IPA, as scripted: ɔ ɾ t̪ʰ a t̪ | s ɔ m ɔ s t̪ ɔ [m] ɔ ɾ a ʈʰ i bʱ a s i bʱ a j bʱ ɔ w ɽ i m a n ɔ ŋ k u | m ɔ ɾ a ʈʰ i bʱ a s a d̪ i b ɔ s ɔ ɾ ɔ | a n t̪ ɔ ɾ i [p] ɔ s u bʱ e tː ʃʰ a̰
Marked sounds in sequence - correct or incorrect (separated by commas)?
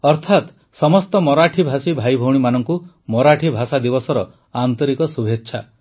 correct, incorrect